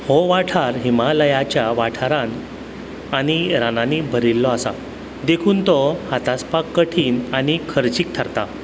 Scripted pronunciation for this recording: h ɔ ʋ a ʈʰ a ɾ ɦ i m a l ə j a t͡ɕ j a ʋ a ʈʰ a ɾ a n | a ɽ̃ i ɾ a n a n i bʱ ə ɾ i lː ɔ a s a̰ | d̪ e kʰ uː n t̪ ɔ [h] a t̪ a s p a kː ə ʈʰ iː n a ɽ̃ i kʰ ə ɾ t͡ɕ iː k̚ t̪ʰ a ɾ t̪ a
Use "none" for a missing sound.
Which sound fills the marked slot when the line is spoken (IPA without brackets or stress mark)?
h